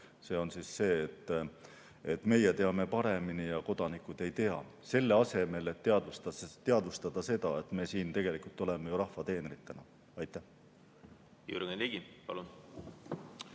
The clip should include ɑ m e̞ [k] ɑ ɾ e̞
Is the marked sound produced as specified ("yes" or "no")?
no